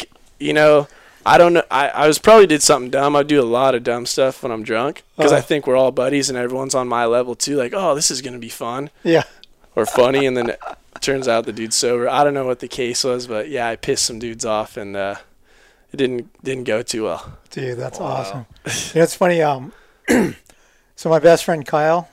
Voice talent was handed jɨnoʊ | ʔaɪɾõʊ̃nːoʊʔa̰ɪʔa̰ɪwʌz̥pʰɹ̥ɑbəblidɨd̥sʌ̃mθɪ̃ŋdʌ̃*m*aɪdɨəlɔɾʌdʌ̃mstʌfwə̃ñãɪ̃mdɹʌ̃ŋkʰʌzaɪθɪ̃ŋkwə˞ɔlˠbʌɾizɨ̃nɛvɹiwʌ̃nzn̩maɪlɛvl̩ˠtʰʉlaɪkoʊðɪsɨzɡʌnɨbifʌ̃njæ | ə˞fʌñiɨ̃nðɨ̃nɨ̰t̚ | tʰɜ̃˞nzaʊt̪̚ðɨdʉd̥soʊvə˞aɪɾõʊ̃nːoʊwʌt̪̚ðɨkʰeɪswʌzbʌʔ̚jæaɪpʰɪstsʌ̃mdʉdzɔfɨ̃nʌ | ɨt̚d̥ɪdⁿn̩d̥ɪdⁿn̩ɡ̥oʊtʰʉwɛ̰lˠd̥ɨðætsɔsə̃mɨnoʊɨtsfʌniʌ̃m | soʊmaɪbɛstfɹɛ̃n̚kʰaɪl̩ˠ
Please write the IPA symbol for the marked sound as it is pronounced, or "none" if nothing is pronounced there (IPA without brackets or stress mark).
m